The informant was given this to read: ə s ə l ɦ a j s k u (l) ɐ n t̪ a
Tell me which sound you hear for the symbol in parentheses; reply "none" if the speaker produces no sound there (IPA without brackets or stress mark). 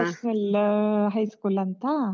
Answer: l